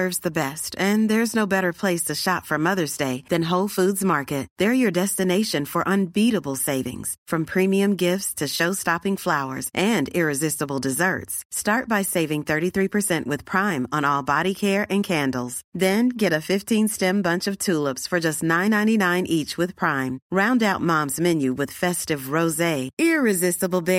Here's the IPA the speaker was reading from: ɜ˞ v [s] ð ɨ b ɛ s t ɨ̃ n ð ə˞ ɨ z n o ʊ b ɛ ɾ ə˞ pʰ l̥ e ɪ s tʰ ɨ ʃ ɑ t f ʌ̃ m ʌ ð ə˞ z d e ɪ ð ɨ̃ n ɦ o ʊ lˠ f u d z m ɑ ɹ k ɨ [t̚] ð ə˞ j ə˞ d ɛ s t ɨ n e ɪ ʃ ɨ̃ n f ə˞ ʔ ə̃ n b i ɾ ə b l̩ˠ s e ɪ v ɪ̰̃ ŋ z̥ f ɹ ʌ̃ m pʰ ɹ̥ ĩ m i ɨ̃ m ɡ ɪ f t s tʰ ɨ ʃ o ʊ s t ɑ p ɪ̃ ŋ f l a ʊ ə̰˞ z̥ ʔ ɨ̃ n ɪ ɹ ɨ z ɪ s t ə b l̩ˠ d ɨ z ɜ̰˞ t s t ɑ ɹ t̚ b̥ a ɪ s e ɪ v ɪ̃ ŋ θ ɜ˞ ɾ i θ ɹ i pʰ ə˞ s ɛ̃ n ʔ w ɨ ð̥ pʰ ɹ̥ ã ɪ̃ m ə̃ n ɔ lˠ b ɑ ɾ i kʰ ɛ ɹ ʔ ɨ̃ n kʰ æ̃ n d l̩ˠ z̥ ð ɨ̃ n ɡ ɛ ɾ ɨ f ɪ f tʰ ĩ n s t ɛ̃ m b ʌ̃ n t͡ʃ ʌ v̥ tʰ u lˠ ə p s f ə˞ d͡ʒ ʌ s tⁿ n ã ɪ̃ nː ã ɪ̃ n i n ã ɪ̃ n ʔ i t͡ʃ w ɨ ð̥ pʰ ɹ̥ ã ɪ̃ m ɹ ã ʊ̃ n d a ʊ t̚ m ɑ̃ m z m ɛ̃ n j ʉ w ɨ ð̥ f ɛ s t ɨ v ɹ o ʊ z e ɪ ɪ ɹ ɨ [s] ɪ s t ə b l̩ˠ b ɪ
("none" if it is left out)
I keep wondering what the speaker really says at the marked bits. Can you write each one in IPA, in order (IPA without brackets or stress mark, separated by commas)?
z, t̚, z